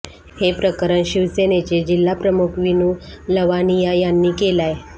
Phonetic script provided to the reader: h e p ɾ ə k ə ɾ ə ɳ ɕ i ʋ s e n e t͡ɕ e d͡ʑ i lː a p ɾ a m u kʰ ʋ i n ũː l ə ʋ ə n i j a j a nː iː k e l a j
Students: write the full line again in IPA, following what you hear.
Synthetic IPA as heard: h e p ɾ ə k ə ɾ ə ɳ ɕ i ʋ s e n e t͡ɕ e d͡ʑ i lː a p ɾ ə m u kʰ ʋ i n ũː l ə ʋ a n i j a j a nː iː k e l a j